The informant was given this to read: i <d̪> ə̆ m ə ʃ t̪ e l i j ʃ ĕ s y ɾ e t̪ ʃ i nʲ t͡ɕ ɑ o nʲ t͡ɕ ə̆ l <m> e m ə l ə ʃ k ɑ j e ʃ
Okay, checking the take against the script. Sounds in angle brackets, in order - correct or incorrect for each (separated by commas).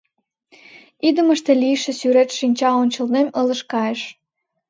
correct, incorrect